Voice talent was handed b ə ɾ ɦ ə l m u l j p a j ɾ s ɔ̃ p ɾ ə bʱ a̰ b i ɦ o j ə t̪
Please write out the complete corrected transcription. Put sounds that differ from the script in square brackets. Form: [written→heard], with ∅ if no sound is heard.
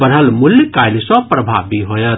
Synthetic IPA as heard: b ə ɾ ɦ ə l m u l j [p→k] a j [ɾ→l] s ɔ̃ p ɾ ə bʱ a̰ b i ɦ o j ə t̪